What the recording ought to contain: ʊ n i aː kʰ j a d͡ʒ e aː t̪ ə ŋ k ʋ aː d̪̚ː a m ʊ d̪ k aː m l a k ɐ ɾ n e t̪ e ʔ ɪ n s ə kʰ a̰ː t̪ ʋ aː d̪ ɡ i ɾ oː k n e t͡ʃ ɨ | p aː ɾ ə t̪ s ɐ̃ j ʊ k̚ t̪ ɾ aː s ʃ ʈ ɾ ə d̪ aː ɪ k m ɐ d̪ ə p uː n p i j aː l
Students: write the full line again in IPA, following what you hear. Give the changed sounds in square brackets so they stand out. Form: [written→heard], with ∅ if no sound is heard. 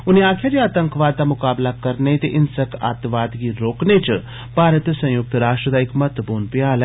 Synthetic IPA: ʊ n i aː kʰ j a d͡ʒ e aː t̪ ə ŋ k ʋ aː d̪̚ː a m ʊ [d̪→∅] k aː [m→b] l a k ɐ ɾ n e t̪ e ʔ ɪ n s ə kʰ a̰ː t̪ ʋ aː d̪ ɡ i ɾ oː k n e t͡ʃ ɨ | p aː ɾ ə t̪ s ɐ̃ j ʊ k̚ t̪ ɾ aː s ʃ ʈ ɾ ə d̪ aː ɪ k m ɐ [d̪→t̪] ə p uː n p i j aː l